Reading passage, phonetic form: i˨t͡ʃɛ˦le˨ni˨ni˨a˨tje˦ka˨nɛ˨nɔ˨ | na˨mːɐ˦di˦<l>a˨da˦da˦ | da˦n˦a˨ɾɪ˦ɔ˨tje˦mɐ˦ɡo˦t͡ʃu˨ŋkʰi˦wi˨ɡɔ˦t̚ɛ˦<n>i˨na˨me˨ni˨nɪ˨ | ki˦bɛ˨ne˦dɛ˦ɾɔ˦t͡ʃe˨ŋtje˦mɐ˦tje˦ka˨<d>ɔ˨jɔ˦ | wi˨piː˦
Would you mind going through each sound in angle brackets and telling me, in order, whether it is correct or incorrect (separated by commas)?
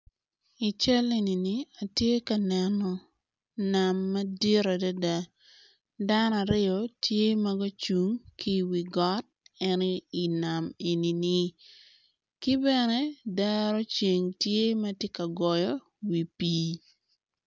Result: incorrect, correct, incorrect